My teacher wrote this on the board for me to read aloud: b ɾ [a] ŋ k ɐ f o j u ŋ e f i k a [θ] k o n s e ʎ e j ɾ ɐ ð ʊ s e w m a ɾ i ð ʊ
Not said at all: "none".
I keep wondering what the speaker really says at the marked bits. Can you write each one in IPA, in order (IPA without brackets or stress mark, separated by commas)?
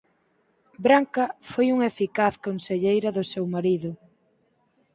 a, θ